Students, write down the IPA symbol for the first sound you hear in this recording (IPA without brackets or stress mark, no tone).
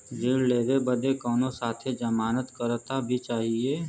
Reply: d͡ʒ